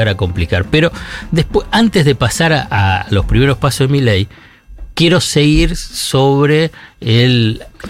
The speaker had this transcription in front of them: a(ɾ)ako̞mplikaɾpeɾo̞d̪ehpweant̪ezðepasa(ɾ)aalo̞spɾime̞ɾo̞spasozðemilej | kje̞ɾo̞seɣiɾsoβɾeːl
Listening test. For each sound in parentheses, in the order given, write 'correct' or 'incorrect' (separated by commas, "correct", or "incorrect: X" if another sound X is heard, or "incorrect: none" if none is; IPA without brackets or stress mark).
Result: correct, correct